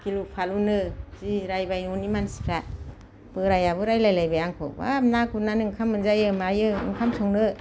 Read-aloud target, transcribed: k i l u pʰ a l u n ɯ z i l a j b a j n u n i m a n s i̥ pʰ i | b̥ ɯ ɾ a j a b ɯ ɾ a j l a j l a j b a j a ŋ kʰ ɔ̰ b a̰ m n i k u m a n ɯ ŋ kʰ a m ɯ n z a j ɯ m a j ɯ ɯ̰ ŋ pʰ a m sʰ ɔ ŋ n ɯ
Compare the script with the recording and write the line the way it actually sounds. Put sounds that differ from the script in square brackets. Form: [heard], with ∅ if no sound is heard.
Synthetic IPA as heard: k i l u pʰ a l u n ɯ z i [ɾ] a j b a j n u n i m a n s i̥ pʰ [a] | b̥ ɯ ɾ a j a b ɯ ɾ a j l a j l a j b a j a ŋ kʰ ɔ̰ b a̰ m n [a] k u [n] a n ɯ ŋ kʰ a m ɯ n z a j ɯ m a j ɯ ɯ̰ ŋ [kʰ] a m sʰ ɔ ŋ n ɯ